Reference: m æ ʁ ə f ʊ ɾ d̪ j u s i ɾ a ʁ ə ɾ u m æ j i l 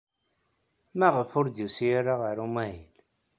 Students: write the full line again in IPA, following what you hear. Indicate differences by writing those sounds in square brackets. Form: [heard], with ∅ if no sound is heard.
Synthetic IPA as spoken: m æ ʁ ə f ʊ ɾ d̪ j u s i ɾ a ʁ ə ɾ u m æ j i l

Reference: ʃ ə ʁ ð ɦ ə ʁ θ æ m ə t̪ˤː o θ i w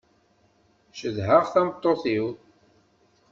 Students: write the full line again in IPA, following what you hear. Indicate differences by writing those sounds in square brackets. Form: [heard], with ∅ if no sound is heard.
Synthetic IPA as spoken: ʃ ə [∅] ð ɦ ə ʁ θ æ m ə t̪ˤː o θ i w

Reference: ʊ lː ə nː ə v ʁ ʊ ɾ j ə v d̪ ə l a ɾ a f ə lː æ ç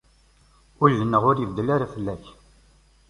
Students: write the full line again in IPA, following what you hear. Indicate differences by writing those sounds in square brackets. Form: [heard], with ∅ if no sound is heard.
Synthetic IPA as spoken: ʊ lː ə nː ə [∅] ʁ ʊ ɾ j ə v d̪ ə l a ɾ a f ə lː æ ç

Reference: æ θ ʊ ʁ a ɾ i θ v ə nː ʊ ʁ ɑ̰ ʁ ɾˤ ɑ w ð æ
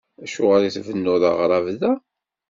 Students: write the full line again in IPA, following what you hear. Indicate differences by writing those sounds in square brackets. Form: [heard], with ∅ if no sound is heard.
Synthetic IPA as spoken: æ [ʃ] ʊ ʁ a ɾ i θ v ə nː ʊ [ð] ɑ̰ ʁ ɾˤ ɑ [v] ð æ

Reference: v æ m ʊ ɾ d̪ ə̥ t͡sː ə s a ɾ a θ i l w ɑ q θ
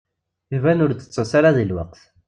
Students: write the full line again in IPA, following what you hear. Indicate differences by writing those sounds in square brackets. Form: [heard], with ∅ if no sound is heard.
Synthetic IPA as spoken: v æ [n] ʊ ɾ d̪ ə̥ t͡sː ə s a ɾ a [ð] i l w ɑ q θ

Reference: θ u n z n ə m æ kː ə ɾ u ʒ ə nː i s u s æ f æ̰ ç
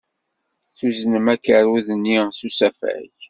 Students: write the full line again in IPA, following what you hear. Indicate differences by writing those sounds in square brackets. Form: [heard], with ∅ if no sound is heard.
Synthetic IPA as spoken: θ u [∅] z n ə m æ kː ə ɾ u [ð] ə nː i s u s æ f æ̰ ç

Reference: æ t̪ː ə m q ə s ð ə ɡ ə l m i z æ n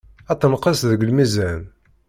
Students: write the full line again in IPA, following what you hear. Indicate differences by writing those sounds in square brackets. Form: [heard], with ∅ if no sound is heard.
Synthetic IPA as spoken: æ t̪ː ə [n] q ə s ð ə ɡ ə l m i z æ n

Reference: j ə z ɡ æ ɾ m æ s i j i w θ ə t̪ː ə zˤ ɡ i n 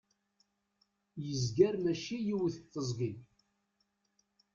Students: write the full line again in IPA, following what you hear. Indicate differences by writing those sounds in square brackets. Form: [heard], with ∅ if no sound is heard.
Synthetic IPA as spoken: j ə z ɡ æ ɾ m æ [ʃ] i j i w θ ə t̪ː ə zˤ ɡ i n

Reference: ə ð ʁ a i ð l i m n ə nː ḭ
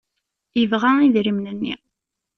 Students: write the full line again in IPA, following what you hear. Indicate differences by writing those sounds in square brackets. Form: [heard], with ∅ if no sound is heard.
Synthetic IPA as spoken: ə [v] ʁ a i ð [ɾ] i m n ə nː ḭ

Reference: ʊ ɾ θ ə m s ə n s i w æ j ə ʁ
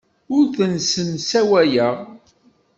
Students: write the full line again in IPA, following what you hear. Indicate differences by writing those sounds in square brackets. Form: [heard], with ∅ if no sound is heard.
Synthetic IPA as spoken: ʊ ɾ θ ə [n] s ə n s [æ] w æ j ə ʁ

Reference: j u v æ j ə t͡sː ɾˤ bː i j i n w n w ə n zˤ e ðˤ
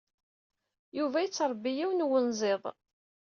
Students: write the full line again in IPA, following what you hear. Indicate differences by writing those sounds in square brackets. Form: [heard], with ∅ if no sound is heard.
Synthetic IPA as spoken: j u v æ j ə t͡sː ɾˤ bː i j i [∅] w n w ə n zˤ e ðˤ

